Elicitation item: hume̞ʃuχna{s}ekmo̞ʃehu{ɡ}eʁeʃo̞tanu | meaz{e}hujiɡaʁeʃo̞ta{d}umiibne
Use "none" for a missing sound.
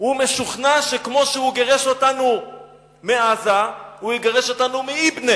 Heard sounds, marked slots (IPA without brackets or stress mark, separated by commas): ʃ, ɡ, a, n